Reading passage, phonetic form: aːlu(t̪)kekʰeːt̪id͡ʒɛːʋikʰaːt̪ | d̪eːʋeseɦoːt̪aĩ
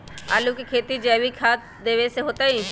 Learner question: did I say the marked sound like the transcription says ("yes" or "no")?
no